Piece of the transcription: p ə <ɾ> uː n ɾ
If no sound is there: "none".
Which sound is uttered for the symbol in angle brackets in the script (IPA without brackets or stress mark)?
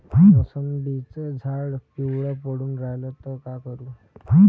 ɽ